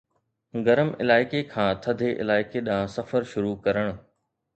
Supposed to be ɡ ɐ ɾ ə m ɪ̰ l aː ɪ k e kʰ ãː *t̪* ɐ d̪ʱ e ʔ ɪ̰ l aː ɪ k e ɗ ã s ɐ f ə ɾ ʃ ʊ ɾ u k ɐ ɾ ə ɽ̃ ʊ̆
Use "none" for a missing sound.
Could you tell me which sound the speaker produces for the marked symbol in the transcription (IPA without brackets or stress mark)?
t̪ʰ